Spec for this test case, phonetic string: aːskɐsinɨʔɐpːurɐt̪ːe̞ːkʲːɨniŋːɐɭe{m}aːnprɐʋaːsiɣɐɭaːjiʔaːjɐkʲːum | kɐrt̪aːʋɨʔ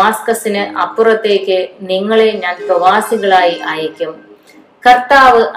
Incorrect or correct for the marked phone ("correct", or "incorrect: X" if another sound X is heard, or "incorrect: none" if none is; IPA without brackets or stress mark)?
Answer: incorrect: ɲ